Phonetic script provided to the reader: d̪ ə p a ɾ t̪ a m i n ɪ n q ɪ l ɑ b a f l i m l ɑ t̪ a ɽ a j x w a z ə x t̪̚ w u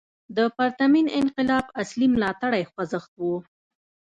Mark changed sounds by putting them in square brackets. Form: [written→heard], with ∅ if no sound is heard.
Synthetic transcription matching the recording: d̪ ə p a ɾ t̪ a m i n ɪ n q ɪ l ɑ b a [f→s] l i m l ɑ t̪ a ɽ a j x w a z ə x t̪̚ w u